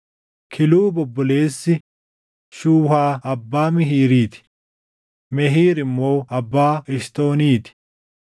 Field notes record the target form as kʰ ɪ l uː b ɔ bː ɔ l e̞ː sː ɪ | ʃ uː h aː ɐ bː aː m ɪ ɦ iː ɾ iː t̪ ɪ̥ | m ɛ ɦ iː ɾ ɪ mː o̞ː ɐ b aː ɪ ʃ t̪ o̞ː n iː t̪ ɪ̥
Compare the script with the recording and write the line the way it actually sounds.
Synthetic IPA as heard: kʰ ɪ l uː b ɔ bː ɔ l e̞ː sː ɪ | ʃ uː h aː ɐ bː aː m ɪ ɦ iː ɾ iː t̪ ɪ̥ | m ɛ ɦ iː ɾ ɪ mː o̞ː ɐ bː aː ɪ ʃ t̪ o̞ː n iː t̪ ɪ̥

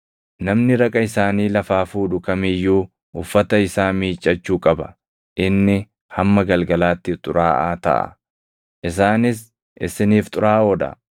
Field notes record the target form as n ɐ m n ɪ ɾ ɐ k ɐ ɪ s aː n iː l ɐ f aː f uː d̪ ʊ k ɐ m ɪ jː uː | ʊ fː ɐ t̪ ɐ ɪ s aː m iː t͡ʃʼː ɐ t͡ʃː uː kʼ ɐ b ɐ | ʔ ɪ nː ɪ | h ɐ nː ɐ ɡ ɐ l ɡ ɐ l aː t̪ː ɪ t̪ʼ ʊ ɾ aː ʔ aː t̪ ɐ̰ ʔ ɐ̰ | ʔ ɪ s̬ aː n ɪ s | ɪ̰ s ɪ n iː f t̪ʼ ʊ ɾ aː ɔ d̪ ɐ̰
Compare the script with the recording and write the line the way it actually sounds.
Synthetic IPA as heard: n ɐ m n ɪ ɾ ɐ kʼ ɐ ɪ s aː n iː l ɐ f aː f uː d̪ ʊ k ɐ m ɪ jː uː | ʊ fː ɐ t̪ ɐ ɪ s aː m iː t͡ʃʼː ɐ t͡ʃː uː kʼ ɐ b ɐ | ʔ ɪ nː ɪ | h ɐ mː ɐ ɡ ɐ l ɡ ɐ l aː t̪ː ɪ t̪ʼ ʊ ɾ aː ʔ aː t̪ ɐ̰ ʔ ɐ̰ | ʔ ɪ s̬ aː n ɪ s | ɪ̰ s ɪ n iː f t̪ʼ ʊ ɾ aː ɔ d̪ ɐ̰

